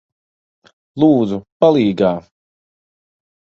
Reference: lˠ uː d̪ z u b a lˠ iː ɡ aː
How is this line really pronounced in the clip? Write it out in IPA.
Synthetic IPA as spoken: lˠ uː d̪ z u p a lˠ iː ɡ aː